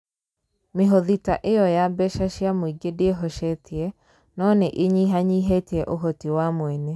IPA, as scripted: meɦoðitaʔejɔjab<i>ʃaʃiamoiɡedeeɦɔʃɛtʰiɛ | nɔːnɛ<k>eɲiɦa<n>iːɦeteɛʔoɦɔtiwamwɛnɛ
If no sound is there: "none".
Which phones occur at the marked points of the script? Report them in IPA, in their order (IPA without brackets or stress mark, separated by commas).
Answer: ɛ, ʔ, ɲ